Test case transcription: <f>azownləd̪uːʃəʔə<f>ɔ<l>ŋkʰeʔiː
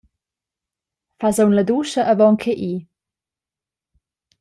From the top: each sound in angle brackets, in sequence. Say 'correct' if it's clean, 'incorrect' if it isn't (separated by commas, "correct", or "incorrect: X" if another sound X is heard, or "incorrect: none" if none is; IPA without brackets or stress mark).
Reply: correct, incorrect: v, incorrect: none